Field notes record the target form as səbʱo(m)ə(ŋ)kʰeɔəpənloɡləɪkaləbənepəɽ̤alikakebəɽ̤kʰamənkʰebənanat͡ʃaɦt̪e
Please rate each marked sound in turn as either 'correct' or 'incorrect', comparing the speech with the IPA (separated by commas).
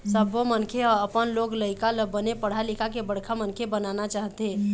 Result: correct, incorrect